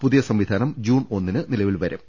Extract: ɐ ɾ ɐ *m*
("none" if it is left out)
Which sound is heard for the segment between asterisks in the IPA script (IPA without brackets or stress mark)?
m